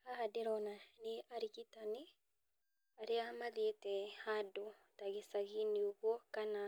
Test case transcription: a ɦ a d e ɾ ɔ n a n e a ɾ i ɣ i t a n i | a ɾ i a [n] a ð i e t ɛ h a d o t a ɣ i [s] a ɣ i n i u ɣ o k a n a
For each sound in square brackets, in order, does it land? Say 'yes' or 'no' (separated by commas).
no, yes